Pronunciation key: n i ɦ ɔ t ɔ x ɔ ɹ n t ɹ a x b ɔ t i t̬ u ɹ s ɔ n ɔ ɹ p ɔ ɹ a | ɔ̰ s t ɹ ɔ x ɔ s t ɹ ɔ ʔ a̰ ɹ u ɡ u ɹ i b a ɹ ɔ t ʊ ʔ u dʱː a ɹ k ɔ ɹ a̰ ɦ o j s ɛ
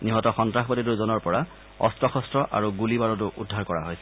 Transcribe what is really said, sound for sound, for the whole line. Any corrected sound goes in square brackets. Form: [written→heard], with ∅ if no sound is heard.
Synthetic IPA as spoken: n i ɦ ɔ t ɔ x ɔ [ɹ→∅] n t ɹ a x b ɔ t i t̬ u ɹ [s→z] ɔ n ɔ ɹ p ɔ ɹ a | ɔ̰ s t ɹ ɔ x ɔ s t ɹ ɔ ʔ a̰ ɹ u ɡ u [ɹ→l] i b a ɹ ɔ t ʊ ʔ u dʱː a ɹ k ɔ ɹ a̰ ɦ o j s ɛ